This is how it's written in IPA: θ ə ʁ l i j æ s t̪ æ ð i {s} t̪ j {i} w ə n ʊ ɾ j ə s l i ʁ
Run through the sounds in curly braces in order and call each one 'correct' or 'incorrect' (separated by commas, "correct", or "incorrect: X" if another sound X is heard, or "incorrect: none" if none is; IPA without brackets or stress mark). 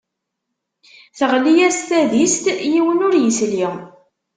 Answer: correct, correct